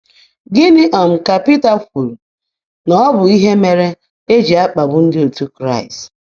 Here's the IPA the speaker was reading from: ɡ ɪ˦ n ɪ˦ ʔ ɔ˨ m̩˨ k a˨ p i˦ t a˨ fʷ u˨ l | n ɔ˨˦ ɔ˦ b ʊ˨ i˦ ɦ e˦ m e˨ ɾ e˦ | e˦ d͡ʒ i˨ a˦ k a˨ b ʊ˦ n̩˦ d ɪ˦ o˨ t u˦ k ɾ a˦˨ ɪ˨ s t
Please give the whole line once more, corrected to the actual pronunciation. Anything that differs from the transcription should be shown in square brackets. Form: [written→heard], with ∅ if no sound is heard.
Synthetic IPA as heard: ɡ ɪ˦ n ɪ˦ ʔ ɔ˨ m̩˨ k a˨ p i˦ t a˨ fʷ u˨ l | n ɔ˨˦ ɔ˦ b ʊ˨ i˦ ɦ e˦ m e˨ ɾ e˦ | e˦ d͡ʒ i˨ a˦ [k→k͡p] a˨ b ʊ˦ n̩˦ d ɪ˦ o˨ t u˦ k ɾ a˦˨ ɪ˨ s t